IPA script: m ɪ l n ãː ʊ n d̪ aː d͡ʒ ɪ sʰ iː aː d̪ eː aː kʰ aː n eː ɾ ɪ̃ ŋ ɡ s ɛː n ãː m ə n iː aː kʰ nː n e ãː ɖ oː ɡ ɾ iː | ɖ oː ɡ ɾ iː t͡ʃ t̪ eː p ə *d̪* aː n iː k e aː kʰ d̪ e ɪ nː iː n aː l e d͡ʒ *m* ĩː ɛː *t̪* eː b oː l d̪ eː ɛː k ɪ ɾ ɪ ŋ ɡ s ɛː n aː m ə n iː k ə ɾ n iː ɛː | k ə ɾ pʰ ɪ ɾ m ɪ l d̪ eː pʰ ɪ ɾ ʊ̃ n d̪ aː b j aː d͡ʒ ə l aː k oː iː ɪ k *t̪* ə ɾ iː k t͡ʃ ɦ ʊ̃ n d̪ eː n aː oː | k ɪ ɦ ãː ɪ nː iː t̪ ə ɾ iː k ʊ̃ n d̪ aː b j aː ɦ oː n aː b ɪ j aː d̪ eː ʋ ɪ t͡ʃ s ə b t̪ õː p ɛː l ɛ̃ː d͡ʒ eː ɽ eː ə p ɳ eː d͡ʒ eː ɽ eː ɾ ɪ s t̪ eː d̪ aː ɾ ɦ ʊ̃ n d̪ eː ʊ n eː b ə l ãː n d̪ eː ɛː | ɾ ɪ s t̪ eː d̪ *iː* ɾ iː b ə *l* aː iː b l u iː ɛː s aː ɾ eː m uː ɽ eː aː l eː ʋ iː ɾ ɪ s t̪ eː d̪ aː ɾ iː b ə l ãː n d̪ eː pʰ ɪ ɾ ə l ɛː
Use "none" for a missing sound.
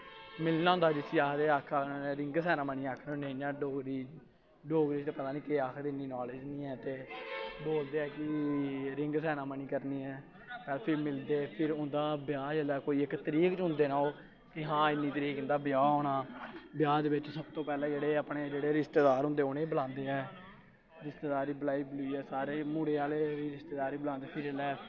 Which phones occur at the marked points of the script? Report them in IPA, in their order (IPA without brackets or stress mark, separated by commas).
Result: t̪, n, t̪, t̪, aː, l